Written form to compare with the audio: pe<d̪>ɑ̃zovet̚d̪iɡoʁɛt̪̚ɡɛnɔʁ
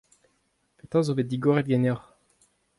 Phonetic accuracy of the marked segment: incorrect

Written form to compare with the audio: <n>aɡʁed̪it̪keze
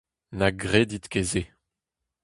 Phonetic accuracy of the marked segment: correct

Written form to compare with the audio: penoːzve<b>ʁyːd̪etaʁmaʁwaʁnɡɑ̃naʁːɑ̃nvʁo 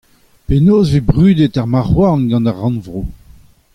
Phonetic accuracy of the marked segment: correct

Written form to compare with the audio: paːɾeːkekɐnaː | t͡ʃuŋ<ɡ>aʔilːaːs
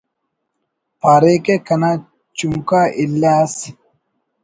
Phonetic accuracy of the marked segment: incorrect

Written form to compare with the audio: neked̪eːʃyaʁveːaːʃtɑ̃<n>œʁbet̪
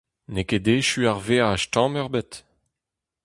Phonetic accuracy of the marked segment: incorrect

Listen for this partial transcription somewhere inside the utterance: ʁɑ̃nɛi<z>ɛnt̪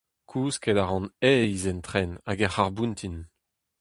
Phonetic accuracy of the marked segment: correct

